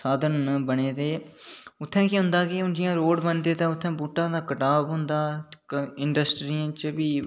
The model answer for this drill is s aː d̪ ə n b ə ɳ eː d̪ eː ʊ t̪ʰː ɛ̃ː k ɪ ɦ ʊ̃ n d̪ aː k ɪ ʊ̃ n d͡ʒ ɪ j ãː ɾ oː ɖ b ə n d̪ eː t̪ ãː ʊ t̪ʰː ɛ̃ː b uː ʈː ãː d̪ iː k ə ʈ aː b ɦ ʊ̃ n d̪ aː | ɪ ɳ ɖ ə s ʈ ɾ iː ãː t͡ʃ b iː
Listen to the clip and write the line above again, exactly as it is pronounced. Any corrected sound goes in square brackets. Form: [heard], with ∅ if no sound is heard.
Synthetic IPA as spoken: s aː d̪ ə n b ə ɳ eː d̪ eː ʊ t̪ʰː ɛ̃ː k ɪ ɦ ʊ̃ n d̪ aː k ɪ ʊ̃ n d͡ʒ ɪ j ãː ɾ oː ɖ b ə n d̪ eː t̪ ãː ʊ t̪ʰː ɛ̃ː b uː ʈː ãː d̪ [aː] k ə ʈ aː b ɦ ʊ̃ n d̪ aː | ɪ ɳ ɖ ə s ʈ ɾ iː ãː t͡ʃ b iː

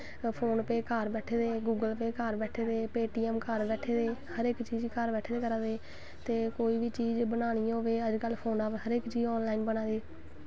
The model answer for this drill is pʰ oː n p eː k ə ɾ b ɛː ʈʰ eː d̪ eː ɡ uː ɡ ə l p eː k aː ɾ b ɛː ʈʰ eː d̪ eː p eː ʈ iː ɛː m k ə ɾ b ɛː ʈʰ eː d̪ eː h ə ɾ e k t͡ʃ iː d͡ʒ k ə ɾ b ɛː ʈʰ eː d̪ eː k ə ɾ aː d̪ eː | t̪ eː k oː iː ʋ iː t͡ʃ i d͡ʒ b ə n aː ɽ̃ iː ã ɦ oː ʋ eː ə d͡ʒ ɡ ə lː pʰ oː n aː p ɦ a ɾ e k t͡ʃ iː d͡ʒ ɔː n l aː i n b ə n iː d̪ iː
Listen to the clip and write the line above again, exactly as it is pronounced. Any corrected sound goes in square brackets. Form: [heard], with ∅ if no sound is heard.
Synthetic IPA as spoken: pʰ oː n p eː k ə ɾ b ɛː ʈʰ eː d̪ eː ɡ uː ɡ ə l p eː k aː ɾ b ɛː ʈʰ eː d̪ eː p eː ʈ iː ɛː m k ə ɾ b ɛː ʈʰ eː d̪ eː h ə ɾ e k t͡ʃ iː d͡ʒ k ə ɾ b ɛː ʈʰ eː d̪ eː k ə ɾ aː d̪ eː | t̪ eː k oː iː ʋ iː t͡ʃ [iː] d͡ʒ b ə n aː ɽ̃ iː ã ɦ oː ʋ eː ə d͡ʒ [k] ə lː pʰ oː n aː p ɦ [ə] ɾ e k t͡ʃ iː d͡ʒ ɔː n l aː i n b ə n [aː] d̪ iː

